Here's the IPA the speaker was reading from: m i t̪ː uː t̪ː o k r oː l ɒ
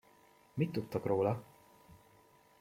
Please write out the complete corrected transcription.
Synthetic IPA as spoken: m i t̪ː u t̪ː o k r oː l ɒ